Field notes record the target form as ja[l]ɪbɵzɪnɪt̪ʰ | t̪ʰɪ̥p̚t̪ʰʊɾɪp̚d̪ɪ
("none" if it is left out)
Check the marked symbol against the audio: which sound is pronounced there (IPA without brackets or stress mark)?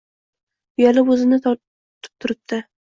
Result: l